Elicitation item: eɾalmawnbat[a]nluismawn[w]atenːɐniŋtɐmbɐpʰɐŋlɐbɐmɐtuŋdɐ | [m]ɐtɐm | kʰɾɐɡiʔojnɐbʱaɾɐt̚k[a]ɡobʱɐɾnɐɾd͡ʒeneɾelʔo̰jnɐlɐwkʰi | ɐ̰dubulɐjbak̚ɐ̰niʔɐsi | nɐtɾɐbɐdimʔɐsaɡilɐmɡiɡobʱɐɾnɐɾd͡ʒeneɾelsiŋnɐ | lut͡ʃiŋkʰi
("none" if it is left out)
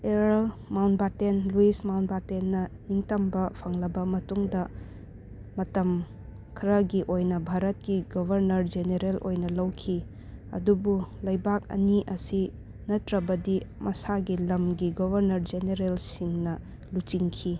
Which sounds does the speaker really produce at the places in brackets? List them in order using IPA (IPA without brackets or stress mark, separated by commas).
e, b, m, i